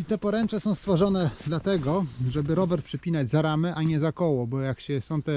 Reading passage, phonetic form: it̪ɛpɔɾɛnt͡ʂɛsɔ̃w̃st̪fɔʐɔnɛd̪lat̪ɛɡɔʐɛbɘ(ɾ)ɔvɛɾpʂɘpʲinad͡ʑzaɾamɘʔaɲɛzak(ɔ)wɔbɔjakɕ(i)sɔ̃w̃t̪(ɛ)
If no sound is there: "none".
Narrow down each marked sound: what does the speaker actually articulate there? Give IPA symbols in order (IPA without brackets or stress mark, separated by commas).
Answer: ɾ, ɔ, ɛ, ɛ